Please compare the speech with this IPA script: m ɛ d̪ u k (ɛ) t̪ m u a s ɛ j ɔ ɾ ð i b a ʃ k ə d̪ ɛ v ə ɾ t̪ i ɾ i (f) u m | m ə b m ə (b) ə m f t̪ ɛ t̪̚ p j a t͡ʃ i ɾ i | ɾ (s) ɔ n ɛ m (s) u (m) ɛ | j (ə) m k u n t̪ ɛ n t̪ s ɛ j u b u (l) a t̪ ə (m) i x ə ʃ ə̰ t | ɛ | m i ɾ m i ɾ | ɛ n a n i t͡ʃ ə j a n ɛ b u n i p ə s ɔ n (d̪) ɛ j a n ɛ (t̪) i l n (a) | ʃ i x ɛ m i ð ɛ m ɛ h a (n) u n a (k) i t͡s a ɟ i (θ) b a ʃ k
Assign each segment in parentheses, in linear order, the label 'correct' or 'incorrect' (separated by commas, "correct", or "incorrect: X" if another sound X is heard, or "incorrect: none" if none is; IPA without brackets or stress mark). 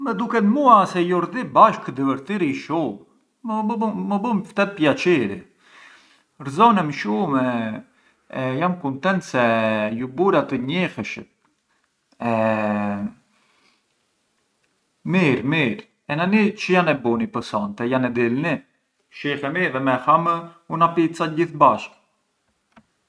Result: correct, incorrect: ʃ, correct, incorrect: z, incorrect: ʃ, correct, incorrect: a, incorrect: ɾ, incorrect: ɲ, incorrect: t̪, incorrect: d̪, incorrect: i, incorrect: m, incorrect: p, correct